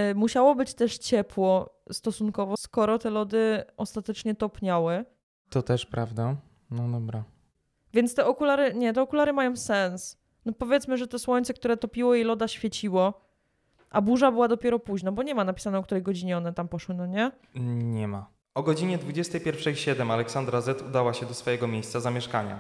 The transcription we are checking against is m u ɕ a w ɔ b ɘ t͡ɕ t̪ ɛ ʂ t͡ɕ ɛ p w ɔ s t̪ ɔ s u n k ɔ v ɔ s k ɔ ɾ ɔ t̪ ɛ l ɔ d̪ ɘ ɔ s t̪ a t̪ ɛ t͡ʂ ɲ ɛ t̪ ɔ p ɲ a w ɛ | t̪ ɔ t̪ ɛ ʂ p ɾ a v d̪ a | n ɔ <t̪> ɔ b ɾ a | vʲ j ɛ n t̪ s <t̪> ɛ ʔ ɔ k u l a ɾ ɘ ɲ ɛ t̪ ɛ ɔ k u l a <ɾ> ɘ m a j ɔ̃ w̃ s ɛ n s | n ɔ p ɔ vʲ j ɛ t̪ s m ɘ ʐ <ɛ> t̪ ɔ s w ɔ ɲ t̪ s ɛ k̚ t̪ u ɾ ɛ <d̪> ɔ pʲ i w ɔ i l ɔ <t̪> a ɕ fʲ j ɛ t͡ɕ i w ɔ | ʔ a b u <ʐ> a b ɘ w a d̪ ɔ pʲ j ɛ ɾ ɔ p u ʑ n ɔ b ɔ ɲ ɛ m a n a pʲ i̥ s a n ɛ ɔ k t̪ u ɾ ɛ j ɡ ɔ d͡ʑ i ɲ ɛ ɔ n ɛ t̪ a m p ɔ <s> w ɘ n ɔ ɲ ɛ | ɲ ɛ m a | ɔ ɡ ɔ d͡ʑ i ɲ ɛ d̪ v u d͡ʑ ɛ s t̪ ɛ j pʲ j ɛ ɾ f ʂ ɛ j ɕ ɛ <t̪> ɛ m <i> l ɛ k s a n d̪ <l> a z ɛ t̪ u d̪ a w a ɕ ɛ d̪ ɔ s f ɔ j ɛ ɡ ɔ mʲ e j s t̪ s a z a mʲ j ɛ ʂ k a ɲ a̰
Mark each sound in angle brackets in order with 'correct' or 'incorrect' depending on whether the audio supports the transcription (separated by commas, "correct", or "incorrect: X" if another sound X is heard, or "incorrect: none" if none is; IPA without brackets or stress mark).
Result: incorrect: d̪, correct, correct, correct, incorrect: t̪, incorrect: d̪, correct, incorrect: ʂ, incorrect: d̪, incorrect: a, incorrect: ɾ